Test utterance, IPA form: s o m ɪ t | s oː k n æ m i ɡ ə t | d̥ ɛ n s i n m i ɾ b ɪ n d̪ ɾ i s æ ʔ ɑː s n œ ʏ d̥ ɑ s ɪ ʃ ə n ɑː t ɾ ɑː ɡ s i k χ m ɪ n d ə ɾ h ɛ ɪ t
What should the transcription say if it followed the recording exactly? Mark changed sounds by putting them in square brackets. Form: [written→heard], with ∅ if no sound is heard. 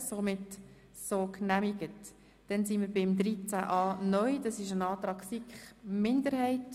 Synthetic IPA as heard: s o m ɪ t | s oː k n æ m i ɡ ə t | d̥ ɛ n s i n m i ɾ b ɪ [n→m] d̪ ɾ i [s→t͡s] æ ʔ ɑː [s→∅] n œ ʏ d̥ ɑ s ɪ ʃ ə n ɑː t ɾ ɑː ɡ s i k χ m ɪ n d ə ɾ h ɛ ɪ t